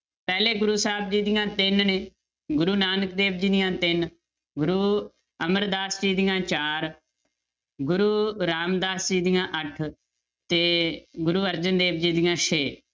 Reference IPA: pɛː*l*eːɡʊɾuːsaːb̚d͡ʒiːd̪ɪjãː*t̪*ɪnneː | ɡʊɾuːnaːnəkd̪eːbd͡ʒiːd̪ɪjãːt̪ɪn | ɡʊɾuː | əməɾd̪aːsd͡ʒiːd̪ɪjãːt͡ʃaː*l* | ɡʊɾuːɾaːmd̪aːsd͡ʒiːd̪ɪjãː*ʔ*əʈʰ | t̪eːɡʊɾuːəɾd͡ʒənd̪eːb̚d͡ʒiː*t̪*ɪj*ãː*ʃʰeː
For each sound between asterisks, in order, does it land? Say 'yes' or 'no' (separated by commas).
yes, yes, no, yes, no, yes